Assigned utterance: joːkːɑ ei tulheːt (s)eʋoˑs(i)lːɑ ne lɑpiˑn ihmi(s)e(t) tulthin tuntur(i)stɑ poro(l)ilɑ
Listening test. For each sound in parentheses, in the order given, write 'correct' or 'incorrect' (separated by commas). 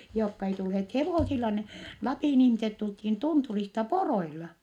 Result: incorrect, correct, correct, correct, correct, incorrect